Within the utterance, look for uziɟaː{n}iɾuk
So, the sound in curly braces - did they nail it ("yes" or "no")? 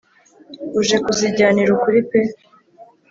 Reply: yes